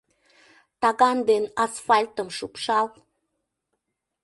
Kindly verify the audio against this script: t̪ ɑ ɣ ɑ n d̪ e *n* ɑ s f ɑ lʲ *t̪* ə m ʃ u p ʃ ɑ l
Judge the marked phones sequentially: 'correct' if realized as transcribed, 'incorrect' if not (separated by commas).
correct, correct